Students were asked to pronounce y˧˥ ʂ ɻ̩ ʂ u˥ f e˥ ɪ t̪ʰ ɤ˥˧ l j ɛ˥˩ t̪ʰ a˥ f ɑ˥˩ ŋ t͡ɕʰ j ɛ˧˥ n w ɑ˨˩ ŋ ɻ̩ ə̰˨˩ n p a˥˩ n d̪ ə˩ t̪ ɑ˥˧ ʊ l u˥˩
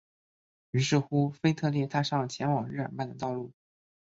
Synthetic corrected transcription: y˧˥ ʂ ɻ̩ x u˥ f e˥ ɪ t̪ʰ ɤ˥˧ l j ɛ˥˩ t̪ʰ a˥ ʂ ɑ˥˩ ŋ t͡ɕʰ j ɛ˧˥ n w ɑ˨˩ ŋ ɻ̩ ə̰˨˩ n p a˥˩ n d̪ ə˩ t̪ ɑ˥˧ ʊ l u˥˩

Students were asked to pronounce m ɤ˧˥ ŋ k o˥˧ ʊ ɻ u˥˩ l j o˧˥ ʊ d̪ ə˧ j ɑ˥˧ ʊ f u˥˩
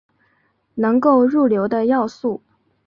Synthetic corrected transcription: n ɤ˧˥ ŋ k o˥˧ ʊ ɻ u˥˩ l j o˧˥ ʊ d̪ ə˧ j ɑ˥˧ ʊ s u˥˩

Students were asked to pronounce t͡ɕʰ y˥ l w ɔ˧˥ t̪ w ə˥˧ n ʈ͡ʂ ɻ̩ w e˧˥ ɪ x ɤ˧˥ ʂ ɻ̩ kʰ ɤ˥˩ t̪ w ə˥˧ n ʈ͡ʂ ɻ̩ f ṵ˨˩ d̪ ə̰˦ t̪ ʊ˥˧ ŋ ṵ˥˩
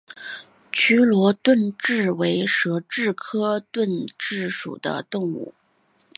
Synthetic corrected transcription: t͡ɕʰ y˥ l w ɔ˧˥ t̪ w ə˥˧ n ʈ͡ʂ ɻ̩ w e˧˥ ɪ ʂ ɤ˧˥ ʈ͡ʂ ɻ̩ kʰ ɤ˥ t̪ w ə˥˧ n ʈ͡ʂ ɻ̩ ʂ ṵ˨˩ d̪ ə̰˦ t̪ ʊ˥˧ ŋ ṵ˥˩

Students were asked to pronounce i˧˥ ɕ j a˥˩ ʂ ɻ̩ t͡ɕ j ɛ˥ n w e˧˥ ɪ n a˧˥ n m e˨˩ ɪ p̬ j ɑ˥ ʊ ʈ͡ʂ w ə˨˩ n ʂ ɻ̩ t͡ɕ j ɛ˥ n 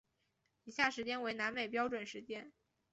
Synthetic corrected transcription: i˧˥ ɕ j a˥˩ ʂ ɻ̩ t͡ɕ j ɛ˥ n w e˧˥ ɪ n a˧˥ n m e˨˩ ɪ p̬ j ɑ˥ ʊ ʈ͡ʂ w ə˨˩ n ʂ ɻ̩ t͡ɕ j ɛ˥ n

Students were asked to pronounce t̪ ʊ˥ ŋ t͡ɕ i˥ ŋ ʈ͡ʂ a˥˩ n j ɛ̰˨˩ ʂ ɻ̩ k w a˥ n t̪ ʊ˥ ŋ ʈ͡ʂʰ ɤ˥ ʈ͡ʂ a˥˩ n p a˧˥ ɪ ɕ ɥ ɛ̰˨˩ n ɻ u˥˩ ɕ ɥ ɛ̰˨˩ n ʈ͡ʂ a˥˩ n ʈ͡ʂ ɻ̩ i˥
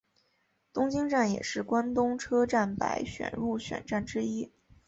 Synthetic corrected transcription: t̪ ʊ˥ ŋ t͡ɕ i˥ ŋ ʈ͡ʂ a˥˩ n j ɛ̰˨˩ ʂ ɻ̩ k w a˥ n t̪ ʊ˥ ŋ ʈ͡ʂʰ ɤ˥ ʈ͡ʂ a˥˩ n p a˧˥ ɪ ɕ ɥ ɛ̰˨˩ n ɻ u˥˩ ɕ ɥ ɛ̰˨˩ n ʈ͡ʂ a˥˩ n ʈ͡ʂ ɻ̩ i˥

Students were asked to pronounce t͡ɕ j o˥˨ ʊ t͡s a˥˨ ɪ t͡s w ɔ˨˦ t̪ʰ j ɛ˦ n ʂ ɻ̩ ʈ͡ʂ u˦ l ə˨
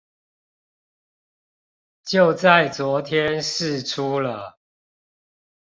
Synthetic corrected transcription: t͡ɕ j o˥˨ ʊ t͡s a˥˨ ɪ t͡s w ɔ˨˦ t̪ʰ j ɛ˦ n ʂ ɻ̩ ʈ͡ʂʰ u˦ l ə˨

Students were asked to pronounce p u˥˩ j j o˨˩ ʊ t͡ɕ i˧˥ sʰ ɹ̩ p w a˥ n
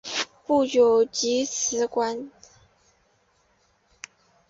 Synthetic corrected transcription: p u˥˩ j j o˨˩ ʊ t͡ɕ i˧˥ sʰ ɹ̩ k w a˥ n

